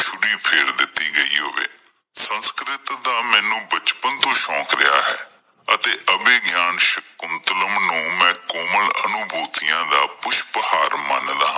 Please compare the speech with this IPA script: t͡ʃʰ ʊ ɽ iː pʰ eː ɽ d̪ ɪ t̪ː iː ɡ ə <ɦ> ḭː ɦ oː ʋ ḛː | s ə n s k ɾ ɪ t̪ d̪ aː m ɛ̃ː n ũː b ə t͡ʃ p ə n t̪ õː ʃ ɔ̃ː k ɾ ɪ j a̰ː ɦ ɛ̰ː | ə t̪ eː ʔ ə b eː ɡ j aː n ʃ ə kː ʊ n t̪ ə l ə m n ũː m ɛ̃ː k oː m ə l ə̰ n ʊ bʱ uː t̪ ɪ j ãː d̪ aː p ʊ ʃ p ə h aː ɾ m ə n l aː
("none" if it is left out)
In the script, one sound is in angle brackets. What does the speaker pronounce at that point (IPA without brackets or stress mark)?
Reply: none